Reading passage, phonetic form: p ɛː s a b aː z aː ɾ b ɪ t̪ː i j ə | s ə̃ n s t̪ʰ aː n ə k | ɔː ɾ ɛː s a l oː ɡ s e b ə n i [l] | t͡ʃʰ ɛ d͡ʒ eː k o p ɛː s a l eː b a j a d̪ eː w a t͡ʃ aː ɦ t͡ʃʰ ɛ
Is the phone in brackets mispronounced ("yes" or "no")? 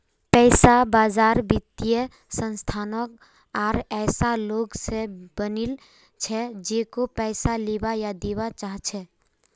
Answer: no